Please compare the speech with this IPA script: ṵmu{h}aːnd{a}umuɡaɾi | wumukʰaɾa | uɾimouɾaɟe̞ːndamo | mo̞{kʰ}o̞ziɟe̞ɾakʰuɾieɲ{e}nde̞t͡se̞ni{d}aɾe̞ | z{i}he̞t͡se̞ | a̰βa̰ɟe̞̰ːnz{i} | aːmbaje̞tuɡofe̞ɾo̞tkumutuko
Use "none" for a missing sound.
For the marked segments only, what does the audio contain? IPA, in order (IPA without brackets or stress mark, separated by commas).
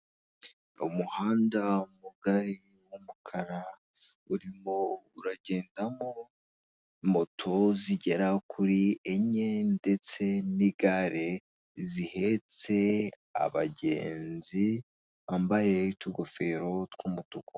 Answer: h, a, tʰ, e, ɡ, i, i